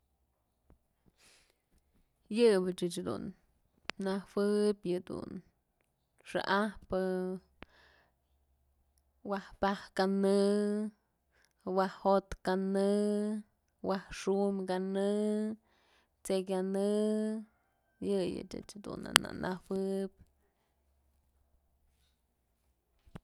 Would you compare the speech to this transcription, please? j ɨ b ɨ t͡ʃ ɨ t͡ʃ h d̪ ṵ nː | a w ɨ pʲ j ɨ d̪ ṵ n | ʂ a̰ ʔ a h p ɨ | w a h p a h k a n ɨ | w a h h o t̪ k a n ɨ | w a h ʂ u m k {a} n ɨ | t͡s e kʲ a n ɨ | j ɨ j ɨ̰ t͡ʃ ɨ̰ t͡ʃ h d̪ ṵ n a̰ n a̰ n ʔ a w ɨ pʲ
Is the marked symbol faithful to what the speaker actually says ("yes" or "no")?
yes